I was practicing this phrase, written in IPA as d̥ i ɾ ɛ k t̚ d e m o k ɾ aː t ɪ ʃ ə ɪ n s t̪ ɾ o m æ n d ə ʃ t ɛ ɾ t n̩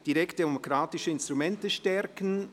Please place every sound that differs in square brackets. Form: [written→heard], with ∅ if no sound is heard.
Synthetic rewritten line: d̥ i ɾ ɛ k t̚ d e m o k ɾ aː t ɪ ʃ ə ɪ n s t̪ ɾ [o→u] m [æ→ɛ] n [d→t] ə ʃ t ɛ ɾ [t→k] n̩